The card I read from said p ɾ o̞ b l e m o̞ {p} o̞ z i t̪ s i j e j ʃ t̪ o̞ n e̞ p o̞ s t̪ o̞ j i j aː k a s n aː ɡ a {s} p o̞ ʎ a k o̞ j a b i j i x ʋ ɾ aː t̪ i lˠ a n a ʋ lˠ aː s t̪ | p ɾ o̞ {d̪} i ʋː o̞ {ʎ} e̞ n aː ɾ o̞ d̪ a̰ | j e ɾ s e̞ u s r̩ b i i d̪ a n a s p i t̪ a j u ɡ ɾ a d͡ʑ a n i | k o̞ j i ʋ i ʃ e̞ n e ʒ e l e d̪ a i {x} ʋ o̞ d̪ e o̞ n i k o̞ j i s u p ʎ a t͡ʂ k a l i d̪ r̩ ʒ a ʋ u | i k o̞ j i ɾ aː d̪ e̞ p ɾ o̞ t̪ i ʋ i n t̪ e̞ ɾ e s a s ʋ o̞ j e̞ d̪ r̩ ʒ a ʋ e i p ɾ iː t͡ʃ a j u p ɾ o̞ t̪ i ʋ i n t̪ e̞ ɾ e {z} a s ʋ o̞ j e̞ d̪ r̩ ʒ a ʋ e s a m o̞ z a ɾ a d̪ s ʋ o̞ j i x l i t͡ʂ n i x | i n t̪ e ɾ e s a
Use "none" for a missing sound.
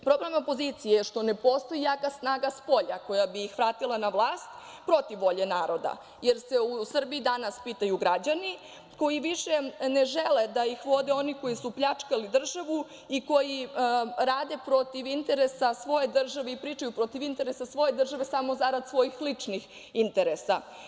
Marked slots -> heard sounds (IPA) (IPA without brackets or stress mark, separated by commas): p, s, t̪, ʎ, x, s